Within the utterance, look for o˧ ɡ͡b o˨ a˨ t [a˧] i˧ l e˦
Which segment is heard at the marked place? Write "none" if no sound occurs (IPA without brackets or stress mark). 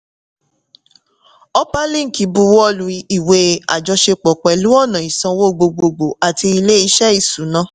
i˧